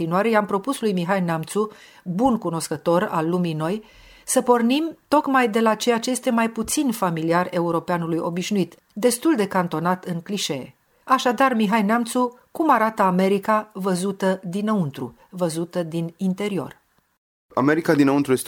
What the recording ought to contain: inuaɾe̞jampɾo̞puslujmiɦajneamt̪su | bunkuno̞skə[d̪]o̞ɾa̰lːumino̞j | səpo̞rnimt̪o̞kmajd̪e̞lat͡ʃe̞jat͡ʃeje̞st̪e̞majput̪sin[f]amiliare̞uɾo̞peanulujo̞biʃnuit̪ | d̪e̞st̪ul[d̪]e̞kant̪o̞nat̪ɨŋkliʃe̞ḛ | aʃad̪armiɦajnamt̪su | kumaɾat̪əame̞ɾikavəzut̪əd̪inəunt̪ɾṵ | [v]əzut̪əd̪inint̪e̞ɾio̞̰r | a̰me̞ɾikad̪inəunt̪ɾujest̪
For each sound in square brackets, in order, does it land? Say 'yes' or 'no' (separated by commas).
no, yes, yes, yes